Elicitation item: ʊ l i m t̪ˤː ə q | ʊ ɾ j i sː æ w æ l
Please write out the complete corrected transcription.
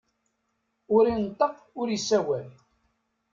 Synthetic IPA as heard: ʊ ɾ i n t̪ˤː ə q | ʊ ɾ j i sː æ w æ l